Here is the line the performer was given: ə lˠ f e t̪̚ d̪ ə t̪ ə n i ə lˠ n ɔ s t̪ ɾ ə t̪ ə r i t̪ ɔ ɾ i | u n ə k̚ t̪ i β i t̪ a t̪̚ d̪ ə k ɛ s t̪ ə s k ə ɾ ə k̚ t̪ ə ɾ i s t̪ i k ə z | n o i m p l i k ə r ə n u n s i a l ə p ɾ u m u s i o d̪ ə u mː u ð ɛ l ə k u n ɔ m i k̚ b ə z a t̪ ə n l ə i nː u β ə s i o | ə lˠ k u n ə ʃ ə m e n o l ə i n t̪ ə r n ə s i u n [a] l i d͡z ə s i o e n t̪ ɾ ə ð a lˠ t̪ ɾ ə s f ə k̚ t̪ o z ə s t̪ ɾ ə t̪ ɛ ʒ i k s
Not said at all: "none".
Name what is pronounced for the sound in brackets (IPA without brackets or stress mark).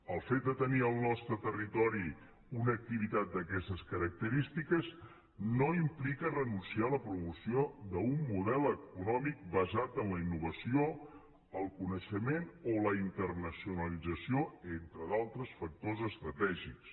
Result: ə